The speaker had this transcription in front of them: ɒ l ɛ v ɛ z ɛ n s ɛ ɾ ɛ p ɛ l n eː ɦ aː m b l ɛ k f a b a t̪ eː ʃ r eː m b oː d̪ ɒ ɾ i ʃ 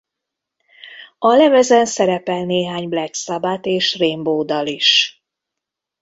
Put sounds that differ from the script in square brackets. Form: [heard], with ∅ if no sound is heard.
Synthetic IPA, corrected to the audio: ɒ l ɛ v ɛ z ɛ n s ɛ ɾ ɛ p ɛ l n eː ɦ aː [ɲ] b l ɛ k [s] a b a t̪ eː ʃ r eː m b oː d̪ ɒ [l] i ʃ